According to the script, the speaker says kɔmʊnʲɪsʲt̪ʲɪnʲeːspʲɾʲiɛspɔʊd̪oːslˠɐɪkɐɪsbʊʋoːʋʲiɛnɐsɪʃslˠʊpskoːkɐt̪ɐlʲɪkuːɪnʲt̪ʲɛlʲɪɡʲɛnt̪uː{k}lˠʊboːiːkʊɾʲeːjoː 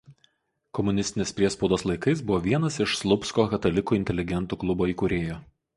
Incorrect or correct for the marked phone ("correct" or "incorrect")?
correct